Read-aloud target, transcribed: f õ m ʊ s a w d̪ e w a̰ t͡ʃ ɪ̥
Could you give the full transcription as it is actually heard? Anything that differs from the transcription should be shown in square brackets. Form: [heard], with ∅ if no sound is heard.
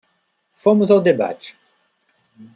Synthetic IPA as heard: f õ m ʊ [z] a w d̪ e [b] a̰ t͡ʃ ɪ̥